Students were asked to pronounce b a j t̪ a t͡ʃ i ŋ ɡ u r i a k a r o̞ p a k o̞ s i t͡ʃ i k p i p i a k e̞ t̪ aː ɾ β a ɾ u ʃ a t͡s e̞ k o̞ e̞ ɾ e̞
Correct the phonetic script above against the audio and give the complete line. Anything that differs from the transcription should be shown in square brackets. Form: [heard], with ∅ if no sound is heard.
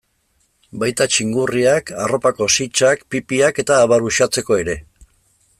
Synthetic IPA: b a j t̪ a t͡ʃ i ŋ ɡ u r i a k a r o̞ p a k o̞ s i t͡ʃ [a] k p i p i a k e̞ t̪ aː [∅] β a ɾ u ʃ a t͡s e̞ k o̞ e̞ ɾ e̞